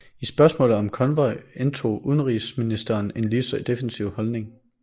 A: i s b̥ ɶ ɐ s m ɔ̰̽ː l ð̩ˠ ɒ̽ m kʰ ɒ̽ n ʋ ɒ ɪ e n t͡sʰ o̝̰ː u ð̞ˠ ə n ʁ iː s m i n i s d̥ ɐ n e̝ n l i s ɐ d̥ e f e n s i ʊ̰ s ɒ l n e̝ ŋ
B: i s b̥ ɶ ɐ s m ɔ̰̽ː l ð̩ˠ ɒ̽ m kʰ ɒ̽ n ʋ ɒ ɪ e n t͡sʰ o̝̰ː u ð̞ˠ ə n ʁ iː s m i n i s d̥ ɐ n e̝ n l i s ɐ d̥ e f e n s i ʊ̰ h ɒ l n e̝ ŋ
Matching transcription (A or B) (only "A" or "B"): B